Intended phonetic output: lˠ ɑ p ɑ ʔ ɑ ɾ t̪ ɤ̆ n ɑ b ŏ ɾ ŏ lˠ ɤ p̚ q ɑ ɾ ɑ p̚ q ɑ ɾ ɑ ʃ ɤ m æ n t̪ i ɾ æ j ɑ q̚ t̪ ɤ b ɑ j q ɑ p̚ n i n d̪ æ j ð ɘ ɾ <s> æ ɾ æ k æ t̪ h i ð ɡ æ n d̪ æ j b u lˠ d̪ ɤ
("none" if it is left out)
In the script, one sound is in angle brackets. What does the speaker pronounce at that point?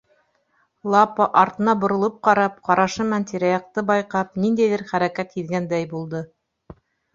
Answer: χ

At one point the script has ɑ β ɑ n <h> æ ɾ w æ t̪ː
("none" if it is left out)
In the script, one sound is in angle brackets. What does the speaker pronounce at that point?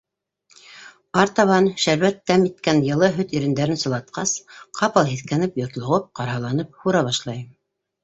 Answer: ʃ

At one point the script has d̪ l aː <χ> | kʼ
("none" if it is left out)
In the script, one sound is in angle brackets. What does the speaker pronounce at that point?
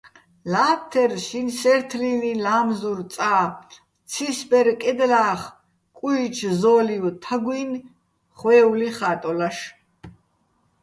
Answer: χ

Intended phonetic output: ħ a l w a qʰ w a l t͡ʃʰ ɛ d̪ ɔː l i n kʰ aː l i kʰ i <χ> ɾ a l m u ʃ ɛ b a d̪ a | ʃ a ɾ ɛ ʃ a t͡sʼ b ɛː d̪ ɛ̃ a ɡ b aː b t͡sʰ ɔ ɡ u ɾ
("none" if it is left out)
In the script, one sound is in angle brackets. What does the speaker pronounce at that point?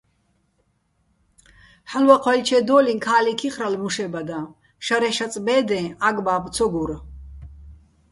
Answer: χ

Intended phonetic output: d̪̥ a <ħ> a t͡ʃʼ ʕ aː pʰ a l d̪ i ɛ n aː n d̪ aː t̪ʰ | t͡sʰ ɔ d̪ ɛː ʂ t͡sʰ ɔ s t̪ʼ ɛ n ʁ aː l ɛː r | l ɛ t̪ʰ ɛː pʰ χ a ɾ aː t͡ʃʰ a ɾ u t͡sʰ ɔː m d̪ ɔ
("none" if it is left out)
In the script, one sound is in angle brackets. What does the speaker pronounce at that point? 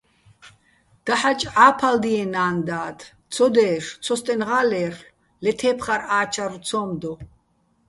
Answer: ħ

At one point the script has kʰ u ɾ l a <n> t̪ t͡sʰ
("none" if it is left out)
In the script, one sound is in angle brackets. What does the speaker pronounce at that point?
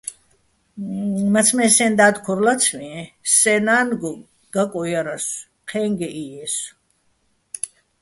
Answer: none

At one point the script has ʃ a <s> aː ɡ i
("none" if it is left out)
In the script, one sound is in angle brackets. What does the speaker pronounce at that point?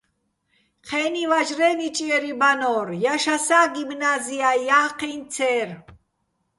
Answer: s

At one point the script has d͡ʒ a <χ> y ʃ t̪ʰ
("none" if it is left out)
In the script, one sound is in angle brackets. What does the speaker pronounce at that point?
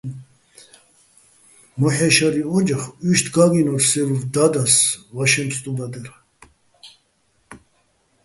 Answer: χ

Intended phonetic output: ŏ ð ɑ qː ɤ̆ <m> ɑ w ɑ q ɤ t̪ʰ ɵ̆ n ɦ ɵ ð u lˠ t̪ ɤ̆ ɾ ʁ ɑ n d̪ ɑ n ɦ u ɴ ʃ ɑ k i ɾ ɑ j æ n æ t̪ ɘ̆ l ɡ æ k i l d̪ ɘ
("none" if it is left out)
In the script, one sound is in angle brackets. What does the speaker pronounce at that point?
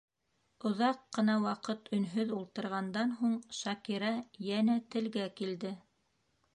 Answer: n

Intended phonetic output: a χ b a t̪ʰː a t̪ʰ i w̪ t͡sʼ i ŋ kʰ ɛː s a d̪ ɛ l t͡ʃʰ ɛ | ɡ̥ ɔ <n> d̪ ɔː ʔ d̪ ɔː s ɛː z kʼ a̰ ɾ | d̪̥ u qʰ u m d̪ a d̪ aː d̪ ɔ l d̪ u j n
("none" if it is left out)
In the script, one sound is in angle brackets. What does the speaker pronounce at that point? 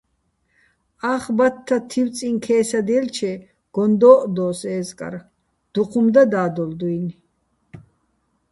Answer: n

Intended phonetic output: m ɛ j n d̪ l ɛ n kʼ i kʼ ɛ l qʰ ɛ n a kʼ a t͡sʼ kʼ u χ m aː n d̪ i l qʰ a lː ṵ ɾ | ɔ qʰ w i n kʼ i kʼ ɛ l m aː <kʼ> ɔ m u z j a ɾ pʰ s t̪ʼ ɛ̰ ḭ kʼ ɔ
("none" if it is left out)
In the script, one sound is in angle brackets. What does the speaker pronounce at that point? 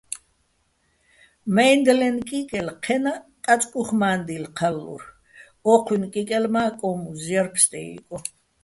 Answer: kʼ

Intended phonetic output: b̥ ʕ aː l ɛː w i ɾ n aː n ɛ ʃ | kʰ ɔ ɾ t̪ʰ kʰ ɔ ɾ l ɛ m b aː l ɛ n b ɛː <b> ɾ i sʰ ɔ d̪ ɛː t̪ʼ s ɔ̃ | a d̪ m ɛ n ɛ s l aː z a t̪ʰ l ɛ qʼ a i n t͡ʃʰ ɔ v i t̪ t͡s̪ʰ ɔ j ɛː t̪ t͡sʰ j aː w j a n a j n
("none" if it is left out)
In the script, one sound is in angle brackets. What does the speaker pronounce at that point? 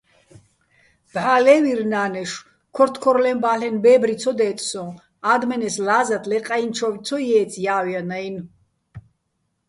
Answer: b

